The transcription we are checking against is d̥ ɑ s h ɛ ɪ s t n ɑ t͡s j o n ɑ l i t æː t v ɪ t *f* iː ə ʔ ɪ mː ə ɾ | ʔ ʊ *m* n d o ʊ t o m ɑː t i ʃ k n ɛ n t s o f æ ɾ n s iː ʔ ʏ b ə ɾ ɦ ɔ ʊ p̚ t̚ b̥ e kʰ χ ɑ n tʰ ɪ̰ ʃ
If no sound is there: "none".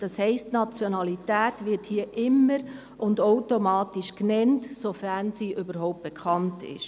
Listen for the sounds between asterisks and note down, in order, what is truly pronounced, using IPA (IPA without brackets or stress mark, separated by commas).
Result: h, none